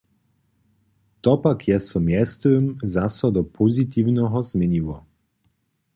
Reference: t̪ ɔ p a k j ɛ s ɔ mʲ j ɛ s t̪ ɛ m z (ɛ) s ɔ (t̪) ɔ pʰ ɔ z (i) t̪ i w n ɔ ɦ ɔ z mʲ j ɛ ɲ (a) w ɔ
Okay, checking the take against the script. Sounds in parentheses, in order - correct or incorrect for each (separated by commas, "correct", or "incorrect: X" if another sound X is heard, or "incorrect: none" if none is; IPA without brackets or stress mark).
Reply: incorrect: a, incorrect: d̪, correct, incorrect: i